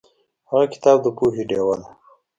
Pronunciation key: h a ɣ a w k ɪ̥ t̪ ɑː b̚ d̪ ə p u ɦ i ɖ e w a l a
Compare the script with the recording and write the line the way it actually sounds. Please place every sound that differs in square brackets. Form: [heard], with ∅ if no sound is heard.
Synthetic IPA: h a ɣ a [∅] k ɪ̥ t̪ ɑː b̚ d̪ ə p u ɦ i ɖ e w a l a